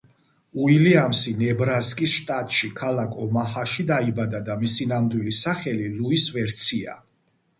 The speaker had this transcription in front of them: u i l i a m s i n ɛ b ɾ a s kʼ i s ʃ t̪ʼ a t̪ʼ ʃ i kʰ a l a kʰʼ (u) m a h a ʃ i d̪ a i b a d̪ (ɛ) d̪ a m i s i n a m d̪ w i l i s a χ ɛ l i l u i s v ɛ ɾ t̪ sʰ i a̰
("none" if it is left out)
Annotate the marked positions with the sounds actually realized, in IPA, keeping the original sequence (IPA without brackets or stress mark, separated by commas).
ɔ, a